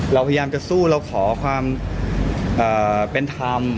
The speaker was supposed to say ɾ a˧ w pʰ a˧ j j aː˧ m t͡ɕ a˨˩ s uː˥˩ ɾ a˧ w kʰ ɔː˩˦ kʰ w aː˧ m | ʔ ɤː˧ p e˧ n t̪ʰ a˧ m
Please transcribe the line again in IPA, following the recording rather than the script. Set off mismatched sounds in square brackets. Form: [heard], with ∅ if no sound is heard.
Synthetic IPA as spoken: ɾ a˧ w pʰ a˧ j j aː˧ m t͡ɕ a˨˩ s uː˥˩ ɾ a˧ w kʰ ɔː˩˦ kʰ w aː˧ m | ʔ [ɤː˨˩] p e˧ n t̪ʰ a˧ m